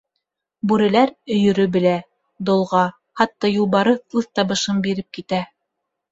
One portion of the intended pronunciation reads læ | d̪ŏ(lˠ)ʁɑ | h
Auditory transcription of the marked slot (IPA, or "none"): lˠ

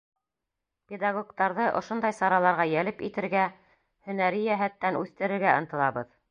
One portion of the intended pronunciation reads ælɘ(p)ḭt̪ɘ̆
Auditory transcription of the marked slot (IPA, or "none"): p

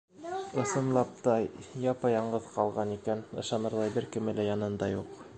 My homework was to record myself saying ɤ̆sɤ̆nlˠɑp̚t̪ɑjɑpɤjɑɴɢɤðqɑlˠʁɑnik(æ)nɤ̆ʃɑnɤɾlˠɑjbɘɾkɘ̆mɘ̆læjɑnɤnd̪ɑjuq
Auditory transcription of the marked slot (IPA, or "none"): æ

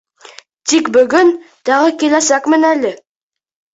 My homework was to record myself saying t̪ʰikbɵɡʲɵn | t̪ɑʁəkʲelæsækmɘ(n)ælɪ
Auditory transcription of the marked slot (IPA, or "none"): n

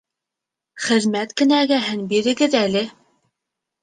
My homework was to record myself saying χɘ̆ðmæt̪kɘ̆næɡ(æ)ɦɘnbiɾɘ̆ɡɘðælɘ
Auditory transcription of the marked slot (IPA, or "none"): æ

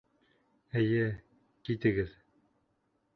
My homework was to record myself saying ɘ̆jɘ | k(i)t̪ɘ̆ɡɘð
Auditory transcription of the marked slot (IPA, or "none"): i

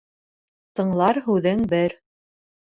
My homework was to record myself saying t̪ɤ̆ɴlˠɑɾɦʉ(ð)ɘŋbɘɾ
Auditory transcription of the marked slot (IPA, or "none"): ð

